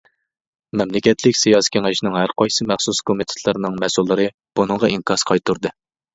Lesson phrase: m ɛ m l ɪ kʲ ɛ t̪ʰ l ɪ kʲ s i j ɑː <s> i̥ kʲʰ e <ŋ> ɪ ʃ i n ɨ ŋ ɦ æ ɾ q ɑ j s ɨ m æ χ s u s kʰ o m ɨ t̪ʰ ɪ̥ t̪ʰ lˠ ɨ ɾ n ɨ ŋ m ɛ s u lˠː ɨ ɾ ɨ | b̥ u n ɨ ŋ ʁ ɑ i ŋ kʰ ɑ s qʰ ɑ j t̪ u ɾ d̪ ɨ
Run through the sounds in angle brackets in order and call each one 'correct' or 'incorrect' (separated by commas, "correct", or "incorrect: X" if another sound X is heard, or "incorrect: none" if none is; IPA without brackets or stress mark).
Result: correct, correct